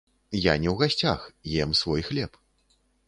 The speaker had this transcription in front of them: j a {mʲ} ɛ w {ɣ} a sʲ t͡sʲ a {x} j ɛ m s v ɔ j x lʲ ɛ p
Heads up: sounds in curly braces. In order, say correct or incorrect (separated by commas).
incorrect, correct, correct